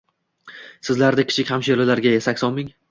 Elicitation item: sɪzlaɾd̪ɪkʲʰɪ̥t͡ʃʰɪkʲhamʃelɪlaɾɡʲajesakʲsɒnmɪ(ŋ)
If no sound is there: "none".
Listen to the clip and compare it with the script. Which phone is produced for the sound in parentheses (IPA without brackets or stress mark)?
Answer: ŋ